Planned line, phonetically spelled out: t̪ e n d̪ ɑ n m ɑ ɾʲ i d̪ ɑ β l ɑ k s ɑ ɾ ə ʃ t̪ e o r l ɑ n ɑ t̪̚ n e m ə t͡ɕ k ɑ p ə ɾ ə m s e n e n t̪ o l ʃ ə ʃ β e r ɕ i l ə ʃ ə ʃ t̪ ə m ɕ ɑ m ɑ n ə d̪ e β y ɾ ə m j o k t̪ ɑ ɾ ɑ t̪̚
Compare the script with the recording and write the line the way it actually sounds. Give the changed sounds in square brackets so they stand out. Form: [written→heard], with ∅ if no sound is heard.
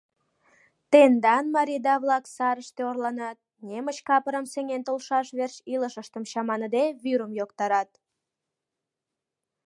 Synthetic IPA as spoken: t̪ e n d̪ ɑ n m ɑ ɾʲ i d̪ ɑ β l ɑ k s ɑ ɾ ə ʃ t̪ e o r l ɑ n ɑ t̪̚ n e m ə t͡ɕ k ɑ p ə ɾ ə m s e [n→ŋ] e n t̪ o l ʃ [ə→ɑ] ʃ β e r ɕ i l ə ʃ ə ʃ t̪ ə m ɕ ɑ m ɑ n ə d̪ e β y ɾ ə m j o k t̪ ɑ ɾ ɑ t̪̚